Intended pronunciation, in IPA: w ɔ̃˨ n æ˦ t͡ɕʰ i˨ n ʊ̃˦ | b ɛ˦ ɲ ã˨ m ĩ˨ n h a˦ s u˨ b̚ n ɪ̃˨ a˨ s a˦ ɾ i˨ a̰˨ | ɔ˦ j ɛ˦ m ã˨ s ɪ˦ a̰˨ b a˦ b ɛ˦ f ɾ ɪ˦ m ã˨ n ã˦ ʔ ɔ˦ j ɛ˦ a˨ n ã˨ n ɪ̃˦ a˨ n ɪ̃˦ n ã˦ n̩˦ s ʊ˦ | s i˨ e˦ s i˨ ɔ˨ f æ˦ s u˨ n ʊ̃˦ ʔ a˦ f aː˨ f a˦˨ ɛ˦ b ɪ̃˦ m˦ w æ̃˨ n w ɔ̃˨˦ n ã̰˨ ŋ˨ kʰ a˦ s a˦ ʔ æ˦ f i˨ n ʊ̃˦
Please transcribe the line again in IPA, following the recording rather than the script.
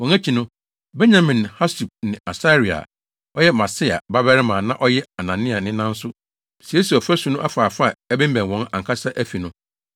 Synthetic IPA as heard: w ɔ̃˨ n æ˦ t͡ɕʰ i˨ n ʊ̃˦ | b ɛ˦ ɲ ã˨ m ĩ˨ n h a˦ s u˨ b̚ n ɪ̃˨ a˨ s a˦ ɾ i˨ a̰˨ | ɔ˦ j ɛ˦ m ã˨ s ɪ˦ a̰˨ b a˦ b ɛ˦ ɾ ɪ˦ m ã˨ n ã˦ ʔ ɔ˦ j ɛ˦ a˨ n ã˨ n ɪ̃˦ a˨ n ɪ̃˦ n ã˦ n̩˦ s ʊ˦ | s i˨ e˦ s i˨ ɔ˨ f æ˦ s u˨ n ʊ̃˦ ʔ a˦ f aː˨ f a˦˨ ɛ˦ b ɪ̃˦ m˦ b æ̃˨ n w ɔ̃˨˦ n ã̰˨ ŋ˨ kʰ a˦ s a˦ ʔ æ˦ f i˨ n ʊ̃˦

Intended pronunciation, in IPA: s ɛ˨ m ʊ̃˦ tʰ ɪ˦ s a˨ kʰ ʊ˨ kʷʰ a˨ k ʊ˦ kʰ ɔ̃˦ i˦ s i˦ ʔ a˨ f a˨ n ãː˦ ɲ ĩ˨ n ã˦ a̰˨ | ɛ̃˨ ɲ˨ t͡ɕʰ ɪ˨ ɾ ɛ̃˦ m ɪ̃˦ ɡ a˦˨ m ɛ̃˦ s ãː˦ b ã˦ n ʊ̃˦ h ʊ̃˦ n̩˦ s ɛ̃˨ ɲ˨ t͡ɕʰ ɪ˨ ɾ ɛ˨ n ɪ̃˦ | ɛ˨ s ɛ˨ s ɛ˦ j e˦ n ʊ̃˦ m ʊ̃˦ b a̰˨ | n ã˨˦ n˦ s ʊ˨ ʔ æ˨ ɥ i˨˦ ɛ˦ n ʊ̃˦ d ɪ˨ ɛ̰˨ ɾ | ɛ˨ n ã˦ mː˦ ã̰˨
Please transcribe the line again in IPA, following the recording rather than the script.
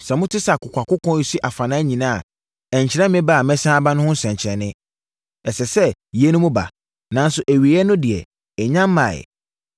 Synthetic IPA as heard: s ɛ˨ m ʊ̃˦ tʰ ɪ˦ s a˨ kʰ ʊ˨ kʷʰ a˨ k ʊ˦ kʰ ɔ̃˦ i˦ s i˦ ʔ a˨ f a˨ n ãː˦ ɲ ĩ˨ n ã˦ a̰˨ | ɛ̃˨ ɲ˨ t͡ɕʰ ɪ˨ ɾ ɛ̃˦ m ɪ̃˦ b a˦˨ m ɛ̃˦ s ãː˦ b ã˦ n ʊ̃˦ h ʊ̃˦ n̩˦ s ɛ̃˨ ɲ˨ t͡ɕʰ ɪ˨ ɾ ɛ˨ n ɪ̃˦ | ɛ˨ s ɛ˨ s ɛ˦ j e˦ n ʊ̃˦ m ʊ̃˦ b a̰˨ | n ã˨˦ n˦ s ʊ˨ ʔ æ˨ ɥ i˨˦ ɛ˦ n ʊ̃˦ d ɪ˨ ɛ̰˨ | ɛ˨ ɲ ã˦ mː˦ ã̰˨

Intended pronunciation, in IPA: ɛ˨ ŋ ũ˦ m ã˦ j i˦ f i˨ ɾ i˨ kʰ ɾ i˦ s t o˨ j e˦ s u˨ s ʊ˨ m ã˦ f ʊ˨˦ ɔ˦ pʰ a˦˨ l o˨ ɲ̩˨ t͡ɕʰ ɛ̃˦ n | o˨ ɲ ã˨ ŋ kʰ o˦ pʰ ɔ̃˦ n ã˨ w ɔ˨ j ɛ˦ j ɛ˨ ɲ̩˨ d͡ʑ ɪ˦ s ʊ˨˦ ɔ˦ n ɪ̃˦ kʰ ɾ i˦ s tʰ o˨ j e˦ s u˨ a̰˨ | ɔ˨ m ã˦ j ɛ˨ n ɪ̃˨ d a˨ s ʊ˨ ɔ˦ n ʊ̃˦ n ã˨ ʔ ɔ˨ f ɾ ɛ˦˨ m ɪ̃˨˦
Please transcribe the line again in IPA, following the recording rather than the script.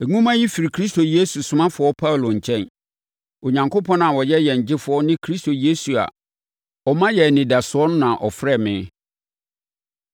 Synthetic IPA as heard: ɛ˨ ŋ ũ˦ m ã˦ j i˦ f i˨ ɾ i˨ kʰ ɾ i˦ s t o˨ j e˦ s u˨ s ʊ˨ m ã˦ f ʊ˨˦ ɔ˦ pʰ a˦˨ l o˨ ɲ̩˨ t͡ɕʰ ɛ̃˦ n | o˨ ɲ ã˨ ŋ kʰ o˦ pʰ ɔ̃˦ n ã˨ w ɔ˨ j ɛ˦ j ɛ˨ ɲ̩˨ d͡ʑ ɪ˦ f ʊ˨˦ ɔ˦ n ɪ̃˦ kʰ ɾ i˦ s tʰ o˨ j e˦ s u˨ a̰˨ | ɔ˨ m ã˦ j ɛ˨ n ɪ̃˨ d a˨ s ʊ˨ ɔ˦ n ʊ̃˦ n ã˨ ʔ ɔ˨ f ɾ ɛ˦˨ m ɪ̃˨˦

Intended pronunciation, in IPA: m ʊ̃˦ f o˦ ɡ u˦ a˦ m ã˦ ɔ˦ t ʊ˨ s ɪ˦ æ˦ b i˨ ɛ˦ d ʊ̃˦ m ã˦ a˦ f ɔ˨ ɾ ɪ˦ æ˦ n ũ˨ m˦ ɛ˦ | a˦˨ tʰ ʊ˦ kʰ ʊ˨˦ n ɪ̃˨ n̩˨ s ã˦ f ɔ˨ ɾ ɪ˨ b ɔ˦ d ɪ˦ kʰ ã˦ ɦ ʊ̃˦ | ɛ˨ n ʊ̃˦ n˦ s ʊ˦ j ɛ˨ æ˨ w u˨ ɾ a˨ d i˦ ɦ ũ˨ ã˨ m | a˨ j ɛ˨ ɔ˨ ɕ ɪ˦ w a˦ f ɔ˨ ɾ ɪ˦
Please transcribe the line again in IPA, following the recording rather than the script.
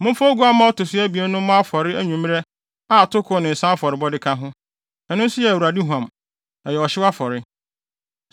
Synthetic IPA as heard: m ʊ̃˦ f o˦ ɡ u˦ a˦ m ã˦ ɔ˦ t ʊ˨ s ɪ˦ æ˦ b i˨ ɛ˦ n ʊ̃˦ m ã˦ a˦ f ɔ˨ ɾ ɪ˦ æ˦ ɲ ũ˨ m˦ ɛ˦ | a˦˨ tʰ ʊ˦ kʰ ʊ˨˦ n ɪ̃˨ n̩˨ s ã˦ f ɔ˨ ɾ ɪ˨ b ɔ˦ d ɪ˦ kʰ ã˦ ɦ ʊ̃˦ | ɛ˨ n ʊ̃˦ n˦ s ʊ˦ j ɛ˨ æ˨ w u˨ ɾ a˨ d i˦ ɦ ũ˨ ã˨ m | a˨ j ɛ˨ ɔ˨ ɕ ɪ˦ w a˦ f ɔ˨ ɾ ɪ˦

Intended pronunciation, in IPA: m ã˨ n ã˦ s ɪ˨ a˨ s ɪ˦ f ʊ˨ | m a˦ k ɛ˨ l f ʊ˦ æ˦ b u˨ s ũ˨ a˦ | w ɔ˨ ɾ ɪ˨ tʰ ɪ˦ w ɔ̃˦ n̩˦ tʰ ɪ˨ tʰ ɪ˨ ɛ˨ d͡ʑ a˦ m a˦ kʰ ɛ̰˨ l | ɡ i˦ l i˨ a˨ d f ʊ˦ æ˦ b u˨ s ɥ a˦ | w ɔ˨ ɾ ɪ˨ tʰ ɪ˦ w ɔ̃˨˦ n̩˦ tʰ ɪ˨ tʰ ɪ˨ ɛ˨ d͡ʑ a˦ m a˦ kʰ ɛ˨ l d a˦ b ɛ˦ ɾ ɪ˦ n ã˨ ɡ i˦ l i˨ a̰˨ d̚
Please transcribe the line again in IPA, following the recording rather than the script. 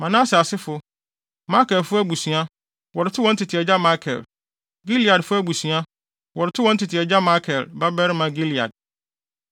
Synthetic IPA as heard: m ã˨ n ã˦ s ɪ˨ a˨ s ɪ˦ f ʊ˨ | m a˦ k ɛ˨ l f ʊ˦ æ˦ b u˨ s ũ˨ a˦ | w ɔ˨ ɾ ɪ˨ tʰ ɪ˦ w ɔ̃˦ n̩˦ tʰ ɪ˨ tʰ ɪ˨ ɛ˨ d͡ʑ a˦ m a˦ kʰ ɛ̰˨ l | ɡ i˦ l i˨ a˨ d f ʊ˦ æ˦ b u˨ s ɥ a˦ | w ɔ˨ ɾ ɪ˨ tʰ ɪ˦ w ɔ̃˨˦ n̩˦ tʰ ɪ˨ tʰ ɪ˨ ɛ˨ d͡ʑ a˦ m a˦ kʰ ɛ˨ l b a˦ b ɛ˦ ɾ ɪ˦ m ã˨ ɡ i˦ l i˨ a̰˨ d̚

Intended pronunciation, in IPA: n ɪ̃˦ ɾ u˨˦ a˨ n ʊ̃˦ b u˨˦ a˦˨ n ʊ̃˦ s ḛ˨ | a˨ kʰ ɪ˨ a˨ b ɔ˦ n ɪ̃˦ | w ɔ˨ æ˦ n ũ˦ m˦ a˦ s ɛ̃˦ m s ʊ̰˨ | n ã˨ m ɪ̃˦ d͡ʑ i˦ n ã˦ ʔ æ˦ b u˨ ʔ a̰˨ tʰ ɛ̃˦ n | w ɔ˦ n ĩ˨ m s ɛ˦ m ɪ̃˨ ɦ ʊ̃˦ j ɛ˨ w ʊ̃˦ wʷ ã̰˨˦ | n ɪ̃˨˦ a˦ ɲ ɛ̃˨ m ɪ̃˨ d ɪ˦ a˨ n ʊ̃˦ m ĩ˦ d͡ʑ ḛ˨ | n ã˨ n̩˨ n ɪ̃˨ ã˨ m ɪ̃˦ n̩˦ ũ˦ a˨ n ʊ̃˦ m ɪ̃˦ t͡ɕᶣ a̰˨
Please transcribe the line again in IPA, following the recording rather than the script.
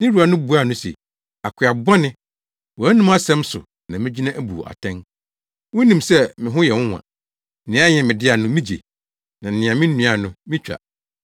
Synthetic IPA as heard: n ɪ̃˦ ɾ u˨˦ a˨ n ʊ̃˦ b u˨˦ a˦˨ n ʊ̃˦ s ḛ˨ | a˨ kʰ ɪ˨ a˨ b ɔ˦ n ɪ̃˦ | w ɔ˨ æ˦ n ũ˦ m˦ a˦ s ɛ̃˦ m s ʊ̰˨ | n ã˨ m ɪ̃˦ d͡ʑ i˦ n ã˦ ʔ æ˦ b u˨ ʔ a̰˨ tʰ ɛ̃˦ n | w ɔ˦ n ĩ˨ m s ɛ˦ m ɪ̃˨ ɦ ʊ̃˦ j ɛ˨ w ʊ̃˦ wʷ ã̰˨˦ | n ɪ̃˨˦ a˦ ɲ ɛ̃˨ m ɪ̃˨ d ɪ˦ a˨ n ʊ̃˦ m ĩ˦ d͡ʑ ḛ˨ | n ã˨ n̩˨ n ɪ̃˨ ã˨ m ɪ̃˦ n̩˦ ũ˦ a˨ n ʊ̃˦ m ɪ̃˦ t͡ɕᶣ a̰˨

